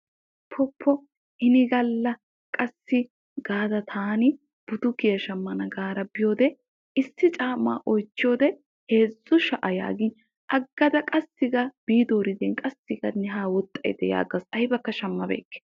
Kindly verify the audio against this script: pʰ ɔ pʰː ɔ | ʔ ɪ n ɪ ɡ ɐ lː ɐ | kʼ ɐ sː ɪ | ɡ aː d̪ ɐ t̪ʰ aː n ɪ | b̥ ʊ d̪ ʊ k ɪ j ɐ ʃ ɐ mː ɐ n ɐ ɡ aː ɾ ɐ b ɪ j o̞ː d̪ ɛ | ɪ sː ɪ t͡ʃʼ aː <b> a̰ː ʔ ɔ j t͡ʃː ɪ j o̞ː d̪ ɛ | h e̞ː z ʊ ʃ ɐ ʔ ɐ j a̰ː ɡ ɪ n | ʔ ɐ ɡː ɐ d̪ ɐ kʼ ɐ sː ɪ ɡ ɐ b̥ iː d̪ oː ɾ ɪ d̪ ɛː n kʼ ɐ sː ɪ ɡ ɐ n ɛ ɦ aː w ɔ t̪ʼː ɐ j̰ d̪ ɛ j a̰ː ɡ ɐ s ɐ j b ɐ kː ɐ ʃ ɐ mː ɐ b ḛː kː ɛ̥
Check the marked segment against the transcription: incorrect: m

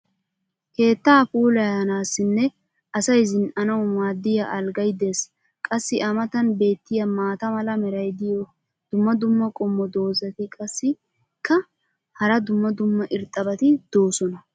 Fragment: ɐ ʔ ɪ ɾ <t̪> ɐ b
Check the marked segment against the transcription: incorrect: t̪ʼ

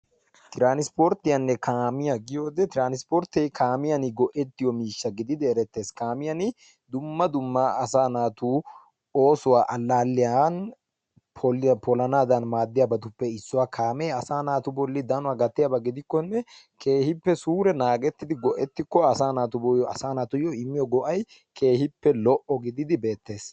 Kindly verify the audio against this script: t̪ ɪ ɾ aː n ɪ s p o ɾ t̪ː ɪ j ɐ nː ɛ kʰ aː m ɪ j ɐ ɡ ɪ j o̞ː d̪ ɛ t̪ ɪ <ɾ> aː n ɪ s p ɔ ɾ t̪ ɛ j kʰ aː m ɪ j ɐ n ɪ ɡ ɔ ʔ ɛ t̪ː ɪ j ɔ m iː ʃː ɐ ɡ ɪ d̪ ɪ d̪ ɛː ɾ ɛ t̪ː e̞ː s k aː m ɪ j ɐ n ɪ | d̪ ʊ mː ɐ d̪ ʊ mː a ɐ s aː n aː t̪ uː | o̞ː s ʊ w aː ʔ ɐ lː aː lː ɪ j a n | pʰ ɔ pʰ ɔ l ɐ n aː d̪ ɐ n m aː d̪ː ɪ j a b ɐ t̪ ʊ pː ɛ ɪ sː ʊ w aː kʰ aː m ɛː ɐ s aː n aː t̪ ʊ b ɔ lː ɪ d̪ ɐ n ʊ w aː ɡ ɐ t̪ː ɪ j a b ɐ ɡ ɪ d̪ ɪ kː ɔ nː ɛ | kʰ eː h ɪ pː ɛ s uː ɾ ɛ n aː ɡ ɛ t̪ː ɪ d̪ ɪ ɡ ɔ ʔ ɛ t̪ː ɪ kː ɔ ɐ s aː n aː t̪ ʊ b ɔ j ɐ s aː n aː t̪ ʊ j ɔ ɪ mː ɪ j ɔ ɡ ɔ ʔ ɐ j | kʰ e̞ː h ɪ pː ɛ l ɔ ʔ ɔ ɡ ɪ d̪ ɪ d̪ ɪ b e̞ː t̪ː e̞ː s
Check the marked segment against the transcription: correct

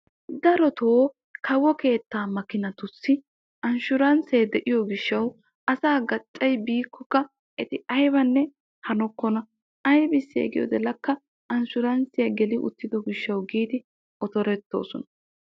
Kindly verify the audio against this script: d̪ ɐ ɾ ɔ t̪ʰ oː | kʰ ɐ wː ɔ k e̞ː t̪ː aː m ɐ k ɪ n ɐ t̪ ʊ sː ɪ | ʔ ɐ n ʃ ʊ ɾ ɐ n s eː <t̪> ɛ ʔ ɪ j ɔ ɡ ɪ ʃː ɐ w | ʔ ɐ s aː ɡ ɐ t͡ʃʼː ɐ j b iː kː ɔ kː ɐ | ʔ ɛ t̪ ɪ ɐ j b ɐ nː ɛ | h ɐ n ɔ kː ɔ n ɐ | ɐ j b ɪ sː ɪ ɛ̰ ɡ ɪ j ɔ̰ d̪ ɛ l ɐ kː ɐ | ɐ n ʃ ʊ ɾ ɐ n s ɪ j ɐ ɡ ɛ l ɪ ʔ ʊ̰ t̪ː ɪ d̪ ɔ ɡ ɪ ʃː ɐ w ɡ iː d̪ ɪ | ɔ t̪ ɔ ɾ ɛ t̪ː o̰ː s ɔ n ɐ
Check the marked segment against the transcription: incorrect: d̪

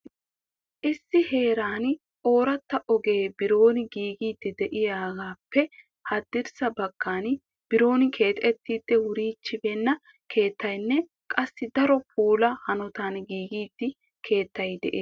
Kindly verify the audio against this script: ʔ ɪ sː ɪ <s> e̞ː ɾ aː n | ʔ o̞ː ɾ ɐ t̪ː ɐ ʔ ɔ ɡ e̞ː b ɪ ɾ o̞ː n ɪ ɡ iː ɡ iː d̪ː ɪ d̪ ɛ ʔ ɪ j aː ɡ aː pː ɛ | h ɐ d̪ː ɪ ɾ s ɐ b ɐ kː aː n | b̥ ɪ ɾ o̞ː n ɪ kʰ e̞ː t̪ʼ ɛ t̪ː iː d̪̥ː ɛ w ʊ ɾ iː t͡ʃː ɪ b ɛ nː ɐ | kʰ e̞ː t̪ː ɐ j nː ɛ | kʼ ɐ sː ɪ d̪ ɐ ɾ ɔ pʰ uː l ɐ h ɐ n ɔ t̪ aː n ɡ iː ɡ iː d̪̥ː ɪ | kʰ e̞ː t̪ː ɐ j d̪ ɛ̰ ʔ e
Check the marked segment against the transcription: incorrect: h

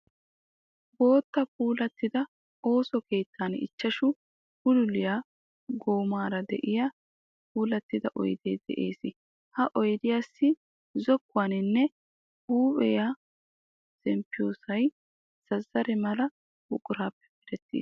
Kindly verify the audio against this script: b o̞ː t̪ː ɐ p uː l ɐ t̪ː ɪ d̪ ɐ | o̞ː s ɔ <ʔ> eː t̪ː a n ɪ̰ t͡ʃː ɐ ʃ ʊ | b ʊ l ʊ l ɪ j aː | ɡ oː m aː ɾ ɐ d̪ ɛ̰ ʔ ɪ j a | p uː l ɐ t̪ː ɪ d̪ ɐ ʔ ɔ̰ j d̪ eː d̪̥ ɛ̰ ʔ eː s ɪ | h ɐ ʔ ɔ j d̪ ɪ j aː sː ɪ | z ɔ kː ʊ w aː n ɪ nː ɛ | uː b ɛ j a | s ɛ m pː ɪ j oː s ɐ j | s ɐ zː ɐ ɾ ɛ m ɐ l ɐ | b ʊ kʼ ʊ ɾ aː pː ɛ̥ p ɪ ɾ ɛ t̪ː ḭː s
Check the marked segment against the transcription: incorrect: k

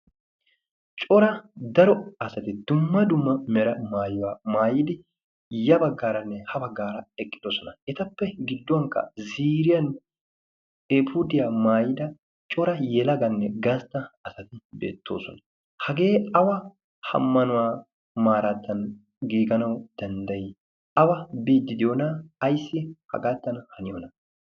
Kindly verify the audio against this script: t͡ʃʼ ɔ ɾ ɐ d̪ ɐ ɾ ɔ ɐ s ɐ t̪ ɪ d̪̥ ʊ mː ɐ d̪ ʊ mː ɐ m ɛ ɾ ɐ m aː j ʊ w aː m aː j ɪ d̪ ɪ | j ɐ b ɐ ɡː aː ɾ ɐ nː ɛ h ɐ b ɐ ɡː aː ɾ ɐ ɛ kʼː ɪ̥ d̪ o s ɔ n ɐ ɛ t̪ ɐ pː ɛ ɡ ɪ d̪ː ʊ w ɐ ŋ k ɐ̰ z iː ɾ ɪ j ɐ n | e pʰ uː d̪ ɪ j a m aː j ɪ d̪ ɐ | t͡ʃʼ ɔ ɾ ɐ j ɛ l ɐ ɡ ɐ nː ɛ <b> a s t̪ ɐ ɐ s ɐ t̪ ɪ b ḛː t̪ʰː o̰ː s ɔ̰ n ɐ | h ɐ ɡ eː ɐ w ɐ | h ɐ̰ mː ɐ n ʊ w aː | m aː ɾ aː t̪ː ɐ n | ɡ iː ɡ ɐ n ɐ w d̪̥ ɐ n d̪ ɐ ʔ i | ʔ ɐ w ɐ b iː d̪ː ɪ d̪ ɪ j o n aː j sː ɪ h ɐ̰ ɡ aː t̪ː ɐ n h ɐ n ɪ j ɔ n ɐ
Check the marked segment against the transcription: incorrect: ɡ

